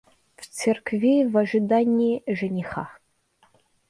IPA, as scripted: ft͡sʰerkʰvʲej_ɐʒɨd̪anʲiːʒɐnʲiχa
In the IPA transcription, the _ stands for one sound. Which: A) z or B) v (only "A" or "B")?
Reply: B